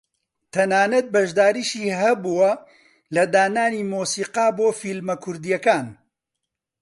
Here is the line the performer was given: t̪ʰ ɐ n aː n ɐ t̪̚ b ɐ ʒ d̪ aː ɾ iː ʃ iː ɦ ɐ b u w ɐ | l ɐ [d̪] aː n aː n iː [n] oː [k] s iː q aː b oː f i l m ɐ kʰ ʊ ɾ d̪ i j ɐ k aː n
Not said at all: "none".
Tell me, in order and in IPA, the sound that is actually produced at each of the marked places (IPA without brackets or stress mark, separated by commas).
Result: d̪, m, none